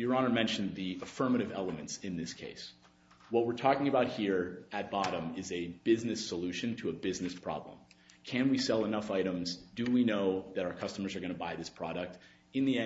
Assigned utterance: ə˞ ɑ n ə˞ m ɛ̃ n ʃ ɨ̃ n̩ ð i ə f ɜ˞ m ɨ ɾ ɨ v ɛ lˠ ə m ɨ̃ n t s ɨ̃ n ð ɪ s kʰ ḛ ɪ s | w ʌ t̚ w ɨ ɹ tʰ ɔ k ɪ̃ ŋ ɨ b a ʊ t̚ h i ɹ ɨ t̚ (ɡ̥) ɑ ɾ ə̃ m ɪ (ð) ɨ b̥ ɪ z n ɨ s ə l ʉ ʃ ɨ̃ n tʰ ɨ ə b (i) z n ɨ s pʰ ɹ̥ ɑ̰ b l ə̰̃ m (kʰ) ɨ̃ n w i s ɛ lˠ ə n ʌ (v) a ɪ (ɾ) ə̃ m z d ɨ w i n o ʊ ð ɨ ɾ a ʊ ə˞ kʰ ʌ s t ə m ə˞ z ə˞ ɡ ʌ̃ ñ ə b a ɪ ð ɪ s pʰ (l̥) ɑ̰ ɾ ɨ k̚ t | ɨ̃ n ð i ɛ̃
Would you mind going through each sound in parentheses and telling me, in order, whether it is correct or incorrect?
incorrect: b̥, incorrect: z, incorrect: ɪ, correct, incorrect: f, correct, incorrect: ɹ̥

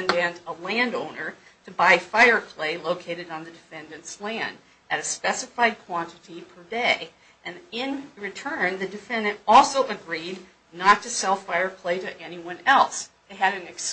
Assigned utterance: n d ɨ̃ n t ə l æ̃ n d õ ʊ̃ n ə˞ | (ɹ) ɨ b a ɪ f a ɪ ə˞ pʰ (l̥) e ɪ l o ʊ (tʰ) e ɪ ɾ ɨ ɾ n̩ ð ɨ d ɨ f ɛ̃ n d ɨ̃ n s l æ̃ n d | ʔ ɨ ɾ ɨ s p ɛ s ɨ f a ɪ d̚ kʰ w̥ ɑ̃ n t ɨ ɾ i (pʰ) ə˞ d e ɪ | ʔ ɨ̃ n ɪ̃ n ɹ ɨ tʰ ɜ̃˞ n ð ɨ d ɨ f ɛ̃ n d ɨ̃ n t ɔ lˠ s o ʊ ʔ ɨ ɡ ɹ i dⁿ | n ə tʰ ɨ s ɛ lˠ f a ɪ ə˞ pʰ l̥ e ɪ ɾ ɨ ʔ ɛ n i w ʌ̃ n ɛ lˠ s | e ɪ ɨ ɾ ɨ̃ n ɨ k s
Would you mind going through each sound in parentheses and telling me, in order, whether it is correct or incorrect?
incorrect: ɾ, correct, incorrect: kʰ, correct

